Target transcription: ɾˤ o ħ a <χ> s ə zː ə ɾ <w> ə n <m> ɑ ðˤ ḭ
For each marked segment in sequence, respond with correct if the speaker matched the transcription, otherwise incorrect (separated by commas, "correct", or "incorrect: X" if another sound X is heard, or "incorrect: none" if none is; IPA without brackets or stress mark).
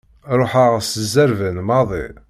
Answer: incorrect: ʁ, incorrect: v, correct